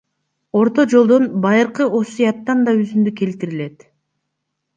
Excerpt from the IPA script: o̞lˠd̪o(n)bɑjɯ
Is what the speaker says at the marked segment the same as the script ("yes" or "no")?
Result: yes